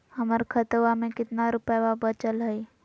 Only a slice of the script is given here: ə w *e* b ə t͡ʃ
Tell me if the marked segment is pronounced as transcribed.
no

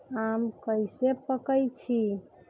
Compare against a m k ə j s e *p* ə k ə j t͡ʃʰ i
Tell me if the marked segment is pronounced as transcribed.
yes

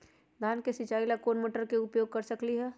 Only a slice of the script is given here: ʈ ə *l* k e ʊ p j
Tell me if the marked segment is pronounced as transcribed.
no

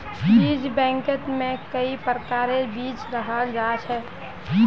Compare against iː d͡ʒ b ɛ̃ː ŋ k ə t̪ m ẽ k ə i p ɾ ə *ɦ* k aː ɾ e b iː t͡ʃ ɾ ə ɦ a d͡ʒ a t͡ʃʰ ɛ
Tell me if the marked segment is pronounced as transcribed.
no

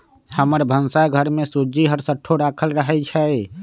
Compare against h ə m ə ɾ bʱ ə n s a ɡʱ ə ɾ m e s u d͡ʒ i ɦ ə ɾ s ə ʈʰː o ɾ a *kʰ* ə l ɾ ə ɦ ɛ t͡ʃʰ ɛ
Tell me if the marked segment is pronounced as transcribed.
yes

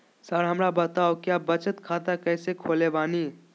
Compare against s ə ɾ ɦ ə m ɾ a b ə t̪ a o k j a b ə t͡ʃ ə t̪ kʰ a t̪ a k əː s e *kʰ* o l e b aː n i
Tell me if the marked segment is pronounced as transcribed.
yes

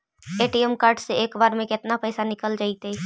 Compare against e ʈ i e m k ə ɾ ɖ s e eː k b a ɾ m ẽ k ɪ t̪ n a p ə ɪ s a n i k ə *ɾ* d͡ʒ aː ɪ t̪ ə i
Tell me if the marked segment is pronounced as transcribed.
no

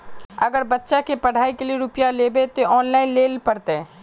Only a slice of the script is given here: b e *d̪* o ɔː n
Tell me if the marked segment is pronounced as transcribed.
no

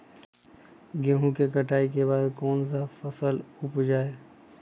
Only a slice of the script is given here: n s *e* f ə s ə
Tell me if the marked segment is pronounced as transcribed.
no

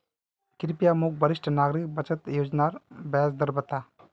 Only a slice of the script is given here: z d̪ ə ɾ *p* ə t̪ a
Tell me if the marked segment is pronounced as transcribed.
no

